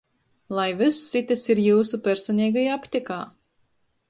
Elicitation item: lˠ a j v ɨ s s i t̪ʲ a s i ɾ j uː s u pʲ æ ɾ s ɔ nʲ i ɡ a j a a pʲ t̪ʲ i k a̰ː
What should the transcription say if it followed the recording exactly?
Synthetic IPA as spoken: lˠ a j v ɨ s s i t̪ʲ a s i ɾ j uː s u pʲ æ ɾ s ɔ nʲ iː ɡ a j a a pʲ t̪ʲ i k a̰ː